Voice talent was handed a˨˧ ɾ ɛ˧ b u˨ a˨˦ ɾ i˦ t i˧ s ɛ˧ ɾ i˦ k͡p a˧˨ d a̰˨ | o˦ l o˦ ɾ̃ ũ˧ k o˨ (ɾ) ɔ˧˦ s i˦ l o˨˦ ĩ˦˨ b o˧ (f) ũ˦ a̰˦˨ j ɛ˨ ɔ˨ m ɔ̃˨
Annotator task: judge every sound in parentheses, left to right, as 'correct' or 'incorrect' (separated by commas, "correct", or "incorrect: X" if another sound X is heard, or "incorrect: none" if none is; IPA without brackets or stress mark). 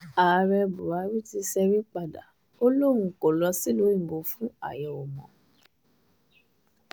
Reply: incorrect: l, correct